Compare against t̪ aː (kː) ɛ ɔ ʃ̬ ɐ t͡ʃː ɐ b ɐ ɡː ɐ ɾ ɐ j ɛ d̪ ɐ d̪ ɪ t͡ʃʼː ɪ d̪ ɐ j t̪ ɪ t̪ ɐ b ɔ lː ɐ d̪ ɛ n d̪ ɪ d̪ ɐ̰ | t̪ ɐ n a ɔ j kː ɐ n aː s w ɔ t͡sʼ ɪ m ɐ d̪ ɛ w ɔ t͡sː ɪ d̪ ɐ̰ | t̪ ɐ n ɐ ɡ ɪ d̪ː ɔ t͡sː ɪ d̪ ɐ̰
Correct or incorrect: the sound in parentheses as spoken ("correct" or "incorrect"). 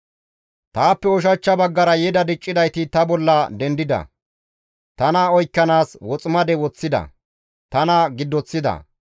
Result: incorrect